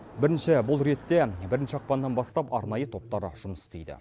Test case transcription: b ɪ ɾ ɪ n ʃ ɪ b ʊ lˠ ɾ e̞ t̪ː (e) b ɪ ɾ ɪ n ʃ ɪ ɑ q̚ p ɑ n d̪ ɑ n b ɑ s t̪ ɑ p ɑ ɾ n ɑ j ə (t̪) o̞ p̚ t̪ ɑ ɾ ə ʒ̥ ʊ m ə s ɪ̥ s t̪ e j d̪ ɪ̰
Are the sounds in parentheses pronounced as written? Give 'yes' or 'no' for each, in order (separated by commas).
yes, no